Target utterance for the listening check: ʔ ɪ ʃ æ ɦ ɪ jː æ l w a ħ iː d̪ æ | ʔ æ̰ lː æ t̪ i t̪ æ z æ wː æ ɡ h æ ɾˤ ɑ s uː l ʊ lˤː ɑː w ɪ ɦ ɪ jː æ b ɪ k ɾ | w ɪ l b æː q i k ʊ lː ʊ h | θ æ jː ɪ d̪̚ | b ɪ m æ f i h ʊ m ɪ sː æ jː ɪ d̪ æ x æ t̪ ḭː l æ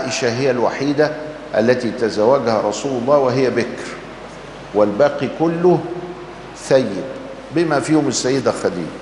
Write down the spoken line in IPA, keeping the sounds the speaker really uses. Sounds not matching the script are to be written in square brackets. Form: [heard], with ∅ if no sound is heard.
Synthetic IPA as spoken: ʔ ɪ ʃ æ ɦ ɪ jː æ l w a ħ iː d̪ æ | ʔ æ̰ lː æ t̪ i t̪ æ z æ wː æ ɡ h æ ɾˤ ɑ s uː l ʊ lˤː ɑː w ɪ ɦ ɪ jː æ b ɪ k ɾ | w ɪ l b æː q i k ʊ lː ʊ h | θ æ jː ɪ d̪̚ | b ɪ m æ f [iː] h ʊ m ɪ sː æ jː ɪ d̪ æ x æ [d̪] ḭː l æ